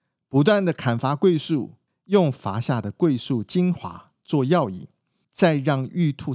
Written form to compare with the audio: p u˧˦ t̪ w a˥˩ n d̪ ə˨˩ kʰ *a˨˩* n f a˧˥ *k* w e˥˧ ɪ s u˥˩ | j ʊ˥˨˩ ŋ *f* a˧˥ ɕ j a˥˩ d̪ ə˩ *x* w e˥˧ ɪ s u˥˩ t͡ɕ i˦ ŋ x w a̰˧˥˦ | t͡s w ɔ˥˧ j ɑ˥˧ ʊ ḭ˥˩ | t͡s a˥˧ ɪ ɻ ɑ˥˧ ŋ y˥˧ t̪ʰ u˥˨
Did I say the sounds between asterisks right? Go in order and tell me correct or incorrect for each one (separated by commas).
correct, correct, correct, incorrect